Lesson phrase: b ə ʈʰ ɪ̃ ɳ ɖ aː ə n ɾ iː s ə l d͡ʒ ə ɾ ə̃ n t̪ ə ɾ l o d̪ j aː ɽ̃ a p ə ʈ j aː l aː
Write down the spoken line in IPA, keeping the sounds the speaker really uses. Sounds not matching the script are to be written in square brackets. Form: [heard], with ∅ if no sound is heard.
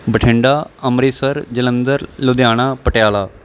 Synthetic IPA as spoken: b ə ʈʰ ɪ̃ ɳ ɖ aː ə [m] ɾ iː s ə [ɾ] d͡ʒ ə [l] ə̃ n [d̪] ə ɾ l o d̪ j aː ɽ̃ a p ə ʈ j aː l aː